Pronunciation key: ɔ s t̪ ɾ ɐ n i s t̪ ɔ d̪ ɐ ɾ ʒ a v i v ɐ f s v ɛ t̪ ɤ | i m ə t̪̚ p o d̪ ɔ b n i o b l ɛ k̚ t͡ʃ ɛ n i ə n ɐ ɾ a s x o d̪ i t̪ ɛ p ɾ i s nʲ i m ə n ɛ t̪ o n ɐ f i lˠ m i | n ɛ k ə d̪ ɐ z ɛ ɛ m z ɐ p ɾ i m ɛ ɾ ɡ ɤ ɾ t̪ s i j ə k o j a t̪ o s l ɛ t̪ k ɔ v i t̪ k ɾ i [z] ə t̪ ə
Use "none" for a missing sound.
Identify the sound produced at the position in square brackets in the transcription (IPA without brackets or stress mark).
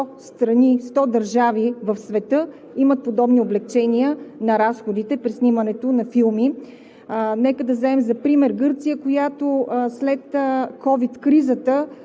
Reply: z